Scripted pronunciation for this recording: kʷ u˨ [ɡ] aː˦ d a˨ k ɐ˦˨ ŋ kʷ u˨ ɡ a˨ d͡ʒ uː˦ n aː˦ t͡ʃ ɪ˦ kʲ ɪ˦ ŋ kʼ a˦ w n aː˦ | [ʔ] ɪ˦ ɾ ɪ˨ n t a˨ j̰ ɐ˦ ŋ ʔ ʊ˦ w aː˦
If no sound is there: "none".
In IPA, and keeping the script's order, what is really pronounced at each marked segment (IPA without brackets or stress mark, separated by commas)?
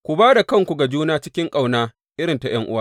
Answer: b, ʔ